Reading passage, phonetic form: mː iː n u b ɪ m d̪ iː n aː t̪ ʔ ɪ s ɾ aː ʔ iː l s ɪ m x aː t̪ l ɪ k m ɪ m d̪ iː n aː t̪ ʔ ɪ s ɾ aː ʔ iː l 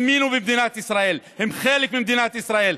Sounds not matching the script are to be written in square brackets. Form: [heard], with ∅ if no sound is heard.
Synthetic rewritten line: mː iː n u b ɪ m d̪ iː n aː t̪ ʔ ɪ s ɾ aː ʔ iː l [h] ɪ m x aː [∅] l ɪ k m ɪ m d̪ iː n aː t̪ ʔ ɪ s ɾ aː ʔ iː l